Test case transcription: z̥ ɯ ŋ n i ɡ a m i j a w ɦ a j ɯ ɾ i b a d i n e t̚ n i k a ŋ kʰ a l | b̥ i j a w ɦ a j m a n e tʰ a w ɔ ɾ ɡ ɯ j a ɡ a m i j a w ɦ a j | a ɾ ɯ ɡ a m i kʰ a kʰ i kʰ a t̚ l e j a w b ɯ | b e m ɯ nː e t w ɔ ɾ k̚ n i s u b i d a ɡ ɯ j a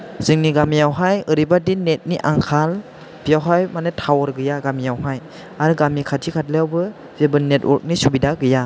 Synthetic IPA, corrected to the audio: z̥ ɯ ŋ n i ɡ a m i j a w ɦ a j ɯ ɾ i b a d i n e t̚ n i ʔ a ŋ kʰ a l | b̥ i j a w ɦ a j m a n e tʰ a w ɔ ɾ ɡ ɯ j a ɡ a m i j a w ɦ a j | a ɾ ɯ ɡ a m i kʰ a tʰ i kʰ a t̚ l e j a w b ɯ | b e b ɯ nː e t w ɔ ɾ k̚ n i s u b i d a ɡ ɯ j a